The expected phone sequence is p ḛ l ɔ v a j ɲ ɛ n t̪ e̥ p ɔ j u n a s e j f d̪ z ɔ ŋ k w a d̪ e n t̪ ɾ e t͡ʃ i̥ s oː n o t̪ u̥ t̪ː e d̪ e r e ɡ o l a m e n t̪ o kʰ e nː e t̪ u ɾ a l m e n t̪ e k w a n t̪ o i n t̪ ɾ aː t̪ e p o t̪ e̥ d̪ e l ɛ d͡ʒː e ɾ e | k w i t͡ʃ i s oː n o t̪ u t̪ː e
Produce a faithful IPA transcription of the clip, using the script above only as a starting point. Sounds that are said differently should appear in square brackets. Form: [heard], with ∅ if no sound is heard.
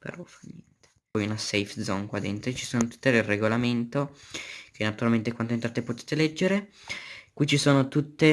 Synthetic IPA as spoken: p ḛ [ɾ] ɔ [f] a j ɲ ɛ n t̪ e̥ p ɔ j u n a s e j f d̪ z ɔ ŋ k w a d̪ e n t̪ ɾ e t͡ʃ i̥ s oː n o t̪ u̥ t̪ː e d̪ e r e ɡ o l a m e n t̪ o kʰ e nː [a] t̪ u ɾ a l m e n t̪ e k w a n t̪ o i n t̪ ɾ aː t̪ e p o t̪ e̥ [t̪] e l ɛ d͡ʒː e ɾ e | k w i t͡ʃ i s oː n o t̪ u t̪ː e

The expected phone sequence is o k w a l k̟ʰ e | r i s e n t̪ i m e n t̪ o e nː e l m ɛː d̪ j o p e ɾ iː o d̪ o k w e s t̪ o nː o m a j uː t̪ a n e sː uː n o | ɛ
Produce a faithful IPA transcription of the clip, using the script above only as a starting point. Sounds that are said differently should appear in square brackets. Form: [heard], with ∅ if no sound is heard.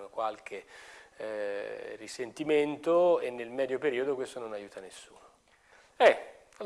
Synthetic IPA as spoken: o k w a l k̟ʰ e | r i s e n t̪ i m e n t̪ o e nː e l m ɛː d̪ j o p e ɾ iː o d̪ o k w e s t̪ o [n] o [n] a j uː t̪ a n e sː uː n o | ɛ

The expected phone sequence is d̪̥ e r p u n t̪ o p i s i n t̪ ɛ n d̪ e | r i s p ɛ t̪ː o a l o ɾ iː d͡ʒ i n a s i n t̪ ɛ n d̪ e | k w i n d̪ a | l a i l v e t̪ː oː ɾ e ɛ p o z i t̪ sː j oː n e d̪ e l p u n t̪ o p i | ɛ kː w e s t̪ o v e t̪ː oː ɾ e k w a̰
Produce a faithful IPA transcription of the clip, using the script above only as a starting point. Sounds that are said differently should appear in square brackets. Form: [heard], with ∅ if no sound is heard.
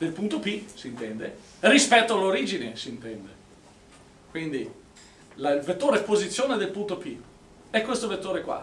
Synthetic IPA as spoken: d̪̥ e [l] p u n t̪ o p i s i n t̪ ɛ n d̪ e | r i s p ɛ t̪ː o a l o ɾ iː d͡ʒ i n [e] s i n t̪ ɛ n d̪ e | k w i n d̪ [i] | l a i l v e t̪ː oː ɾ e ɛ p o z i t̪ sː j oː n e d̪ e l p u n t̪ o p i | ɛ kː w e s t̪ o v e t̪ː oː ɾ e k w a̰

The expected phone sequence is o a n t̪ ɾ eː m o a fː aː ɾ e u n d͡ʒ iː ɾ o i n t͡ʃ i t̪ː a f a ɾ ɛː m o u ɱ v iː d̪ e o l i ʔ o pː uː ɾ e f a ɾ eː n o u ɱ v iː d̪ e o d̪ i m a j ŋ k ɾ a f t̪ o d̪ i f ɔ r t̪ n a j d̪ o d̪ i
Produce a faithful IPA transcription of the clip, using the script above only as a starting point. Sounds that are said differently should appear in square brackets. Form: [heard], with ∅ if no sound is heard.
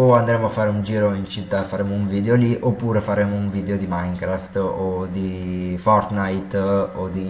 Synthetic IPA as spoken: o a n [d̪] ɾ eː m o a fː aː ɾ e u n d͡ʒ iː ɾ o i n t͡ʃ i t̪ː a f a ɾ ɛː m o u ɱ v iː d̪ e o l i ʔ o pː uː ɾ e f a ɾ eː [m] o u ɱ v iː d̪ e o d̪ i m a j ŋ k ɾ a f t̪ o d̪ i f ɔ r t̪ n a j [t̪] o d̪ i

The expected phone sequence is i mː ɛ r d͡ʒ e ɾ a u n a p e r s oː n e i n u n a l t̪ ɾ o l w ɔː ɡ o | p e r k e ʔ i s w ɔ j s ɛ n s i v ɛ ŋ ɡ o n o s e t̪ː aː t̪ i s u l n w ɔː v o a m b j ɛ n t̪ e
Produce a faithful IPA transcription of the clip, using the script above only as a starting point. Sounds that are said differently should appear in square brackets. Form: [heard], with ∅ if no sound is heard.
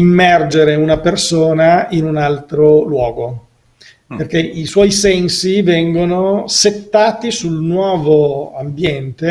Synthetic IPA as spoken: i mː ɛ r d͡ʒ e ɾ [e] u n a p e r s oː n [a] i n u n a l t̪ ɾ o l w ɔː ɡ o | p e r k e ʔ i s w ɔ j s ɛ n s i v ɛ ŋ ɡ o n o s e t̪ː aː t̪ i s u l n w ɔː v o a m b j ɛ n t̪ e

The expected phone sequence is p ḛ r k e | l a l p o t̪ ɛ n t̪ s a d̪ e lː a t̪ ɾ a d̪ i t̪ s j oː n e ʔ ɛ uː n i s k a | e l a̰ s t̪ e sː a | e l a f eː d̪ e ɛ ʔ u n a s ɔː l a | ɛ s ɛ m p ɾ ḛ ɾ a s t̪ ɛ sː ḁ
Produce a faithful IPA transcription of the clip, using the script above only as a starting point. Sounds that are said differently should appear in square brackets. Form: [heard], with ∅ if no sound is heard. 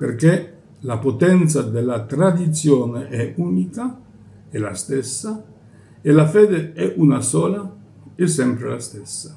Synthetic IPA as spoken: p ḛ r k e | l a [∅] p o t̪ ɛ n t̪ s a d̪ e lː a t̪ ɾ a d̪ i t̪ s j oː n e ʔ ɛ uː n i [∅] k a | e l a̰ s t̪ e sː a | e l a f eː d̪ e ɛ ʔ u n a s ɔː l a | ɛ s ɛ m p ɾ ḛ [l] a s t̪ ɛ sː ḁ

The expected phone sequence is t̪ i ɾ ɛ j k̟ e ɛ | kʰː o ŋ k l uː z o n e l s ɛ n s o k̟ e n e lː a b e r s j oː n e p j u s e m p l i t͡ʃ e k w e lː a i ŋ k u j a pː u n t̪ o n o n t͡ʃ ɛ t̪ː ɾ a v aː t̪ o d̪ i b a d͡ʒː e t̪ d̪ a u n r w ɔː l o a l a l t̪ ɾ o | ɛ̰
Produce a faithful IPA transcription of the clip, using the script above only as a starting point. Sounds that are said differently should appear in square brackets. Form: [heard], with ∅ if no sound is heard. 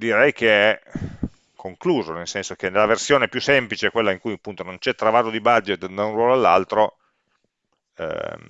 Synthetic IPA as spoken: [d̪] i ɾ ɛ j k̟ e ɛ | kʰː o ŋ k l uː z o n e l s ɛ n s o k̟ e n e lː a [v] e r s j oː n e p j u s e m p l i t͡ʃ e k w e lː a i ŋ k u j a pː u n t̪ o n o n t͡ʃ ɛ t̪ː ɾ a v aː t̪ o d̪ i b a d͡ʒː e t̪ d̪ a u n r w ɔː l o a [lː] a l t̪ ɾ o | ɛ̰

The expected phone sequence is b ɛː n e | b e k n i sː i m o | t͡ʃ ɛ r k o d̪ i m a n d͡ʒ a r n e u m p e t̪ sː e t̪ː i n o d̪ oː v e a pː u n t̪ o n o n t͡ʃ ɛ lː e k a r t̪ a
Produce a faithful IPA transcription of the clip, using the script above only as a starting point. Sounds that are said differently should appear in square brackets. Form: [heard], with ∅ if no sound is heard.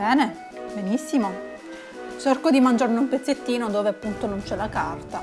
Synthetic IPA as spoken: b ɛː n e | b e [∅] n i sː i m o | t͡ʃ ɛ r k o d̪ i m a n d͡ʒ a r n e u m p e t̪ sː e t̪ː [iː] n o d̪ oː v e a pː u n t̪ o n o n t͡ʃ ɛ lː [a] k a r t̪ a

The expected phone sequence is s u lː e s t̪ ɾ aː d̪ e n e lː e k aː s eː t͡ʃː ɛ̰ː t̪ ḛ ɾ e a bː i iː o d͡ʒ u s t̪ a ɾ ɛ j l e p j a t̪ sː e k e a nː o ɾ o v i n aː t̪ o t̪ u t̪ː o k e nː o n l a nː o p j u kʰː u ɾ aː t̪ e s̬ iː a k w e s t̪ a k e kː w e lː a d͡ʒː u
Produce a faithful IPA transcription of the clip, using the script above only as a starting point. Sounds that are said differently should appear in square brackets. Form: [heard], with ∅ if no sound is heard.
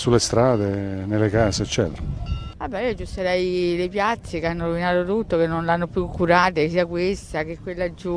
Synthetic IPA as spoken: s u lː e s t̪ ɾ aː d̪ e n e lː e k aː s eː t͡ʃː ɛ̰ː t̪ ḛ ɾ [a] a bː [ɛ] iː o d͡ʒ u s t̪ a ɾ ɛ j l e p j a t̪ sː e k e a nː o ɾ o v i n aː t̪ o t̪ u t̪ː o k e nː o n l a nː o p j u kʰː u ɾ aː t̪ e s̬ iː a k w e s t̪ a k e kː w e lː a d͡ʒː u

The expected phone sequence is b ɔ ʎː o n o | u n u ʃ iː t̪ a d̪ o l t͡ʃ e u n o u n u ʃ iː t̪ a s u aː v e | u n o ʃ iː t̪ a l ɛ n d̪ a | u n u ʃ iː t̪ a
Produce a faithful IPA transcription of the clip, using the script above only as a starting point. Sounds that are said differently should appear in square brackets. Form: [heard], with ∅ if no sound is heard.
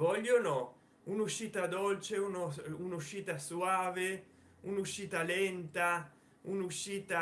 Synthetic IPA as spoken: [v] ɔ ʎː o n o | u n u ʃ iː t̪ a d̪ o l t͡ʃ e u n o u n u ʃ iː t̪ a s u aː v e | u n [u] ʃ iː t̪ a l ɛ n [t̪] a | u n u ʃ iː t̪ a

